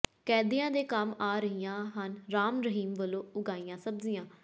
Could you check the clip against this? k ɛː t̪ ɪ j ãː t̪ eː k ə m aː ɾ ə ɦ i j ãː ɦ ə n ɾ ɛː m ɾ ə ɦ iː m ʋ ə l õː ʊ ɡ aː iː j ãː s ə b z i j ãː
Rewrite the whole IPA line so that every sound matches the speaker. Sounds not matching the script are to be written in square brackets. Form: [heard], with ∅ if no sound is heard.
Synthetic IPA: k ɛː [d̪] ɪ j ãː [d̪] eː k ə m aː ɾ ə ɦ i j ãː ɦ ə n ɾ [aː] m ɾ ə ɦ iː m ʋ ə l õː ʊ ɡ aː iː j ãː s ə b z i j ãː